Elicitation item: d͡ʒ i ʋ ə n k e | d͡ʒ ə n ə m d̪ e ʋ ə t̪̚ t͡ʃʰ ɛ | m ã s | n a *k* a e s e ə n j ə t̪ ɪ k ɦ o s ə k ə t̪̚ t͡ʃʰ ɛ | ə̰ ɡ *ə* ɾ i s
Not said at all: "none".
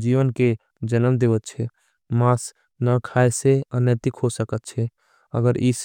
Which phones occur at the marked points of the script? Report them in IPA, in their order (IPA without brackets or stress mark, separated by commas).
kʰ, ə